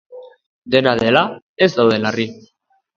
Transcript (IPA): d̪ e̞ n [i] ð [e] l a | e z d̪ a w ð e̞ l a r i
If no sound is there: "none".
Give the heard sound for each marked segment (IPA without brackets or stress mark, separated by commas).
a, e